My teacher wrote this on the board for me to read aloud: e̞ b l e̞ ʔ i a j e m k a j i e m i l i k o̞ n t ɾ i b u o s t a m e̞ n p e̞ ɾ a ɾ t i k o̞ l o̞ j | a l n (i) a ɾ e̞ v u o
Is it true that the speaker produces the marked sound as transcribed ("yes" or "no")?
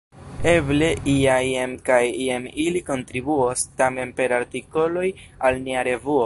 yes